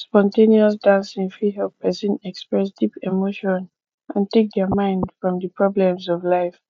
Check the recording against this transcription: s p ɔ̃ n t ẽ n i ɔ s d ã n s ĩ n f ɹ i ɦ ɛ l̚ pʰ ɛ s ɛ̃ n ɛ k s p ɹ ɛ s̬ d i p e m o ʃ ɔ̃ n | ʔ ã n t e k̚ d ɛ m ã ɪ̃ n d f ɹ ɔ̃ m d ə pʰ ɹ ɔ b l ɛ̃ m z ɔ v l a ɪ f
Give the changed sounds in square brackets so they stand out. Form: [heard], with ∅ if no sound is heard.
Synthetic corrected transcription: s p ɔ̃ n t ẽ n i ɔ s d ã n s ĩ n f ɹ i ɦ ɛ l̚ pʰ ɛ s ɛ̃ n ɛ k s p ɹ ɛ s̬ d i p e m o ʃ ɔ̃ n | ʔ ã n t e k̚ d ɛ m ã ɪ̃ n d f ɹ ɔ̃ m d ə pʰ ɹ ɔ b l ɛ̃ m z ɔ v l a ɪ f